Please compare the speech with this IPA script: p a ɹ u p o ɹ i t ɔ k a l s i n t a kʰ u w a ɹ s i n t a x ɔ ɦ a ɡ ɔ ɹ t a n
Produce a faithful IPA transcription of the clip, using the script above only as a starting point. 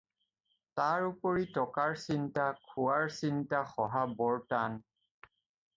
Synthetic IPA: t a ɹ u p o ɹ i t ɔ k a ɹ s i n t a kʰ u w a ɹ s i n t a x ɔ ɦ a b ɔ ɹ t a n